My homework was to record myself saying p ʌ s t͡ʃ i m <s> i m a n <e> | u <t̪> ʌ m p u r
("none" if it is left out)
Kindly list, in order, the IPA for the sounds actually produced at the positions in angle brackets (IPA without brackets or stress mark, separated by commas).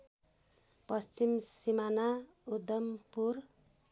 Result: s, a, d̪